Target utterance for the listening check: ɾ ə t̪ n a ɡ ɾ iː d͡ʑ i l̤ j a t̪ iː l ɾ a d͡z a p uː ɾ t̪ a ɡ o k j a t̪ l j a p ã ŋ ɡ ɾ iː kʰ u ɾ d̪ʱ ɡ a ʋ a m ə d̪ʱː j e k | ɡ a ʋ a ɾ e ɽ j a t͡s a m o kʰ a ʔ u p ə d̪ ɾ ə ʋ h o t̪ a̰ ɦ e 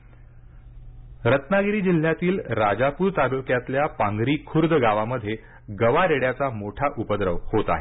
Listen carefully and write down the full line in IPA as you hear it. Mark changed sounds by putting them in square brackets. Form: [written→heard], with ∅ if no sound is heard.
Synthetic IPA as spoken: ɾ ə t̪ n a ɡ ɾ iː d͡ʑ i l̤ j a t̪ iː l ɾ a d͡z a p uː ɾ t̪ a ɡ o k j a t̪ l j a p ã ŋ ɡ ɾ iː kʰ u ɾ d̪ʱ ɡ a ʋ a m ə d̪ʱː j e [k→∅] | ɡ [a→ə] ʋ a ɾ e ɽ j a t͡s a m o [kʰ→ʈʰ] a ʔ u p ə d̪ ɾ ə ʋ h o t̪ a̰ ɦ e